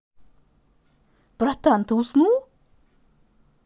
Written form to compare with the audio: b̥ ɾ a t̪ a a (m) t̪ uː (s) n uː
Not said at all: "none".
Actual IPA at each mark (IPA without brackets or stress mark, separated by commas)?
n, s